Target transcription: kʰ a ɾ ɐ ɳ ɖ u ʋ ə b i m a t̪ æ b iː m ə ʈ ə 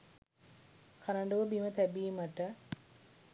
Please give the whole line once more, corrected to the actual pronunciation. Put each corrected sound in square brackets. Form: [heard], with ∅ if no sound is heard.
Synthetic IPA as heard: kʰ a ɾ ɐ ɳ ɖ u ʋ ə b i m [ə] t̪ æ b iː m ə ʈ ə